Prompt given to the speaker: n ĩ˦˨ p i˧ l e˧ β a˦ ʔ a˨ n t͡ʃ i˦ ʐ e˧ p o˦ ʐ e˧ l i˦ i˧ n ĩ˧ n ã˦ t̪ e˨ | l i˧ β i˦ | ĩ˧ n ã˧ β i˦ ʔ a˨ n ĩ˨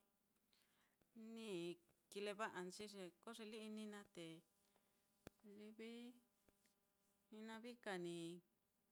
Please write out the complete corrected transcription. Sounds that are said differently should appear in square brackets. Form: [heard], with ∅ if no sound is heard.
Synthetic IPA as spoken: n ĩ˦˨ [k] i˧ l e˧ β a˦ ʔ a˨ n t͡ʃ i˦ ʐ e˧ [k] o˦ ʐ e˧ l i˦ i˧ n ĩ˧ n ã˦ t̪ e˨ | l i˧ β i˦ | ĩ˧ n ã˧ β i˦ [k] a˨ n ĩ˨